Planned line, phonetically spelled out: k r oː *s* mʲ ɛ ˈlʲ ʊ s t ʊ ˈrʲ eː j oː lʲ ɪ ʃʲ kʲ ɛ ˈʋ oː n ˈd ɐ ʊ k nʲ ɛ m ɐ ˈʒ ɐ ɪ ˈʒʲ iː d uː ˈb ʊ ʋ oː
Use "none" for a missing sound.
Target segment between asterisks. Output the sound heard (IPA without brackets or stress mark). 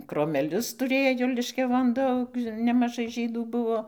none